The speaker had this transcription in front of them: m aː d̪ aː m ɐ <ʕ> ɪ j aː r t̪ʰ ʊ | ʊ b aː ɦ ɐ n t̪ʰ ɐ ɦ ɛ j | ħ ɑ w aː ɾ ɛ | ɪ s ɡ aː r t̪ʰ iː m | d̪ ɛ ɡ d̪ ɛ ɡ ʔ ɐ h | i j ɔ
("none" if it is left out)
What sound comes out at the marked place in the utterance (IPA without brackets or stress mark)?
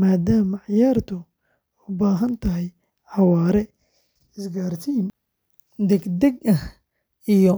ʕ